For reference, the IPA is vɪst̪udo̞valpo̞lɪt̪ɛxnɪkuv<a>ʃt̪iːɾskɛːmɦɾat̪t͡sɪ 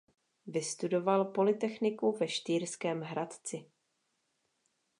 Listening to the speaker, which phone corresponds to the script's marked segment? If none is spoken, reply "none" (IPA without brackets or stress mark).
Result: ɛ